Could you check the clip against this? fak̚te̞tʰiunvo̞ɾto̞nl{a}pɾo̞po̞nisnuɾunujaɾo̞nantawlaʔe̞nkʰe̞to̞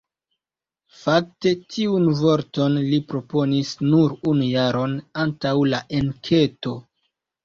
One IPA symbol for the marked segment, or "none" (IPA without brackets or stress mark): i